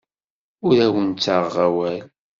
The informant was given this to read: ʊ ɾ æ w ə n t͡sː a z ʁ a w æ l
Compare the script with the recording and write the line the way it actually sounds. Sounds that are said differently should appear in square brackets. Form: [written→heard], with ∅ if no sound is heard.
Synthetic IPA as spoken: ʊ ɾ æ w ə n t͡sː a [z→ʁ] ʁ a w æ l